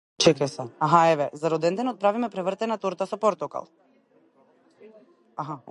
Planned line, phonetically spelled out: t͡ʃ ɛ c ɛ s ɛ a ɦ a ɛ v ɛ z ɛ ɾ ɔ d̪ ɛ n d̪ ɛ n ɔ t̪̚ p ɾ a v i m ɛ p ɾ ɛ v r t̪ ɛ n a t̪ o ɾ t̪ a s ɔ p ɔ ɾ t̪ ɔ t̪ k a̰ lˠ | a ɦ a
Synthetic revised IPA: t͡ʃ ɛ k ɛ s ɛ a ɦ a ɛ v ɛ z a ɾ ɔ d̪ ɛ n d̪ ɛ n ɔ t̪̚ p ɾ a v i m ɛ p ɾ ɛ v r t̪ ɛ n a t̪ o ɾ t̪ a s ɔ p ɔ ɾ t̪ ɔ k a̰ lˠ | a ɦ a